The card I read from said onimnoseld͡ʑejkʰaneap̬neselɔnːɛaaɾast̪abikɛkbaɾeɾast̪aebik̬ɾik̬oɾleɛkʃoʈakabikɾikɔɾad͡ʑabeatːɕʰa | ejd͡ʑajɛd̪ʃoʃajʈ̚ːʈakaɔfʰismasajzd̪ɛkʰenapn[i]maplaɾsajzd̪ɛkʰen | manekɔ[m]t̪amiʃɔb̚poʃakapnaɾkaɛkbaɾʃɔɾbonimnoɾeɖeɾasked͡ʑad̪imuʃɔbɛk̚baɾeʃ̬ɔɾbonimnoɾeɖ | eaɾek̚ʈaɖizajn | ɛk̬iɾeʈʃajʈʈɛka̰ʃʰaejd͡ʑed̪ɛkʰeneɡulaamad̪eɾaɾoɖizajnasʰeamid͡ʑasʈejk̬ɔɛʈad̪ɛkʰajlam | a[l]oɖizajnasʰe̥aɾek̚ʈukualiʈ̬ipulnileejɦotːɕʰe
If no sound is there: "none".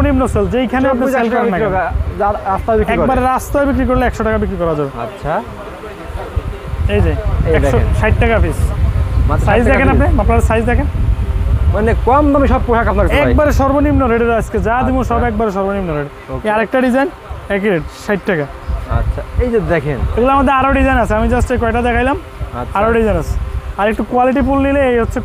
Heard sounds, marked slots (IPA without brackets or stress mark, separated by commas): e, m, ɾ